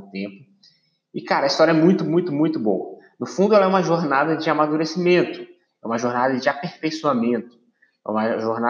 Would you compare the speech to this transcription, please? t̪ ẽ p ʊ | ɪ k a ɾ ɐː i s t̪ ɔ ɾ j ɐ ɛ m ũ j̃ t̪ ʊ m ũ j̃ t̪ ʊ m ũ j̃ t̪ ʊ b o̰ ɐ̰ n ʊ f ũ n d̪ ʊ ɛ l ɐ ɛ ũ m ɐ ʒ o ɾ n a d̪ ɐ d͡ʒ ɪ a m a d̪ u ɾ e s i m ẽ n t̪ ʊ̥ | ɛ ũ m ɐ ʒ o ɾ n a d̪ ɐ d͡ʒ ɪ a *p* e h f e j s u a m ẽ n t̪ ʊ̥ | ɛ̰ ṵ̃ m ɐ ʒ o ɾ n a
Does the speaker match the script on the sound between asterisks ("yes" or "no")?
yes